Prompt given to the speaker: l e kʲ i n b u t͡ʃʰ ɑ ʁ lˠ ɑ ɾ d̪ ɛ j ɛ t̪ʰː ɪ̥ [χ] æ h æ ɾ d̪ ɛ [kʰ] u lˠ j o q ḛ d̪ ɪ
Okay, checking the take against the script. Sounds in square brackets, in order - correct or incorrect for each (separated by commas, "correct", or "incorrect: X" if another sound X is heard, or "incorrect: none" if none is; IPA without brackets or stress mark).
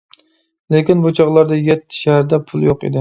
incorrect: ʃ, incorrect: pʰ